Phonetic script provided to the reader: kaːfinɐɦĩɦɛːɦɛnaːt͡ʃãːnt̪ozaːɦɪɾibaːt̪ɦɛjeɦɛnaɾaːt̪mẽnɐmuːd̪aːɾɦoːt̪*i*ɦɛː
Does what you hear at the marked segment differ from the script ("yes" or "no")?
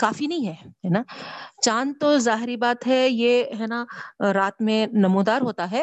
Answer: yes